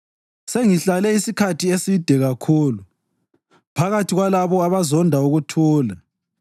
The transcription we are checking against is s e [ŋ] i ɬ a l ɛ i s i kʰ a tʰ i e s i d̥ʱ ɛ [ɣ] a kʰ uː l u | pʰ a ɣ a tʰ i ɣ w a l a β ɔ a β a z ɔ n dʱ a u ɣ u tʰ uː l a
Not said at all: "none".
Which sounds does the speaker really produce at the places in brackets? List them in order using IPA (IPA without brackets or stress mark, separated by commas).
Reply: ŋ, ɣ